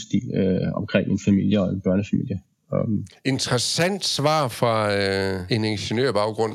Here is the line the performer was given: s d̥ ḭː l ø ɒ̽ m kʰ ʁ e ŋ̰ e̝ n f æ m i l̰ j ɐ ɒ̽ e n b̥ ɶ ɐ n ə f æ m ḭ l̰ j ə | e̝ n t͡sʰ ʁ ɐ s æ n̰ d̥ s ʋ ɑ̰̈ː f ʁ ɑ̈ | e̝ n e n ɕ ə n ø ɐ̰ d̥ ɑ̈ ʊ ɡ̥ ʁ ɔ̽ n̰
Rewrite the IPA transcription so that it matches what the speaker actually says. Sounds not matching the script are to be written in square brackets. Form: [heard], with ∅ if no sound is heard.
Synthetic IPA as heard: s d̥ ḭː l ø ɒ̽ m kʰ ʁ e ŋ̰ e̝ n f æ m i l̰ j [ə] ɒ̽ e n b̥ ɶ ɐ n ə f æ m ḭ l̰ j ə | e̝ n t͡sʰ ʁ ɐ s æ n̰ d̥ s ʋ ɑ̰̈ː f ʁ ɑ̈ | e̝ n e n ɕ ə n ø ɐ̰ [b̥] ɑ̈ ʊ ɡ̥ ʁ ɔ̽ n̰